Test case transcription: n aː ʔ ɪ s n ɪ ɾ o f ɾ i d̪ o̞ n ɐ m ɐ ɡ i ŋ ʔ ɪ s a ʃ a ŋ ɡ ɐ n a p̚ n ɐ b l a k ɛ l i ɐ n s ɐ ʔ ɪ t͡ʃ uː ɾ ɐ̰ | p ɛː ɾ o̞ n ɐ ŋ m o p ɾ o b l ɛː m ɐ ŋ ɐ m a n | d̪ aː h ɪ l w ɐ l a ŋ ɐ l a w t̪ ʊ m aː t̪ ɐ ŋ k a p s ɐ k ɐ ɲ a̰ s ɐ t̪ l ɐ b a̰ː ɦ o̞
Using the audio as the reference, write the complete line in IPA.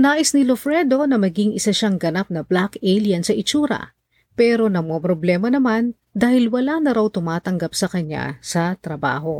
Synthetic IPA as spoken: n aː ʔ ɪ s n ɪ l o f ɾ ɛ d̪ o̞ n ɐ m ɐ ɡ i ŋ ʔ ɪ s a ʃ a ŋ ɡ ɐ n a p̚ n ɐ b l a k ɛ l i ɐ n s ɐ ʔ ɪ t͡ʃ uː ɾ ɐ̰ | p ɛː ɾ o̞ n ɐ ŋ m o p ɾ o b l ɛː m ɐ n ɐ m a n | d̪ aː h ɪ l w ɐ l a n ɐ ɾ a w t̪ ʊ m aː t̪ ɐ ŋ ɡ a p s ɐ k ɐ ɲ a̰ s ɐ t̪ ɾ ɐ b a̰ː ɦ o̞